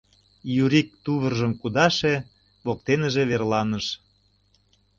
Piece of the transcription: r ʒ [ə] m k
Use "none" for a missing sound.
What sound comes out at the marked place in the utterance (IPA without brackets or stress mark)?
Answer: ə